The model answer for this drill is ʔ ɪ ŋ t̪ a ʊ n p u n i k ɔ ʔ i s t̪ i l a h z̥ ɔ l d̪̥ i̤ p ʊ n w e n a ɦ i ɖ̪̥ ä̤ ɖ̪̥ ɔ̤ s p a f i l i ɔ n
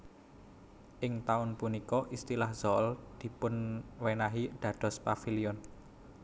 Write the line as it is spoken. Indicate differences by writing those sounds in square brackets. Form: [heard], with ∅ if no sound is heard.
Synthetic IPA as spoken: ʔ ɪ ŋ t̪ a ʊ n p u n i k ɔ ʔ i s t̪ i l a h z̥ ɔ l d̪̥ i̤ p ʊ n w e n a ɦ i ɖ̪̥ ä̤ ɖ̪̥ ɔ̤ s p a f i l i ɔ n